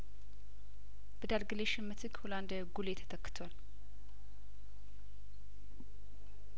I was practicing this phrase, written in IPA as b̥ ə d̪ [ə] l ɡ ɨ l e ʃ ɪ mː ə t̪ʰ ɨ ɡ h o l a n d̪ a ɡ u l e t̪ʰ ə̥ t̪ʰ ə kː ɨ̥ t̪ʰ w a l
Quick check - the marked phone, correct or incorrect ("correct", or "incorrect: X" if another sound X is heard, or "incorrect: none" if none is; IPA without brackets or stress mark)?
incorrect: a